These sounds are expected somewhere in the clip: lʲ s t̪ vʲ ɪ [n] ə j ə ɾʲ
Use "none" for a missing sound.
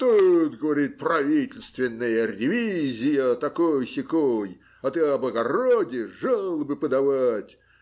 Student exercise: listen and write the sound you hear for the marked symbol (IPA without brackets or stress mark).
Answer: nː